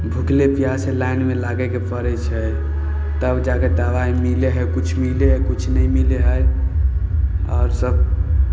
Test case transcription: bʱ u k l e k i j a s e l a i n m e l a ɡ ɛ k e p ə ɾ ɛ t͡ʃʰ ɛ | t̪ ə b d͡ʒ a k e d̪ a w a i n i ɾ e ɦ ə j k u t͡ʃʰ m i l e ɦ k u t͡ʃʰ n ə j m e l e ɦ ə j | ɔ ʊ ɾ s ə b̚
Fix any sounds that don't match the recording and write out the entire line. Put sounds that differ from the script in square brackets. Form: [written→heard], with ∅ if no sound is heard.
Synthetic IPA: bʱ u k l e [k→p] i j a s e l a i n m e l a ɡ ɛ k e p ə ɾ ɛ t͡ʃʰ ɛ | t̪ ə b d͡ʒ a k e d̪ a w a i [n→m] i [ɾ→l] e ɦ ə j k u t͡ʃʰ m i l e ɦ k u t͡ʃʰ n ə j m [e→i] l e ɦ ə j | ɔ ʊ ɾ s ə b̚